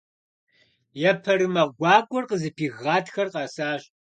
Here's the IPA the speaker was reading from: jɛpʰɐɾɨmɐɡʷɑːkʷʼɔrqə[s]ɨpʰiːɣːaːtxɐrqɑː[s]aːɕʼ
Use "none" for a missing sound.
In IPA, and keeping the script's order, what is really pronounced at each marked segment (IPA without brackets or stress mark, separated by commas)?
z, s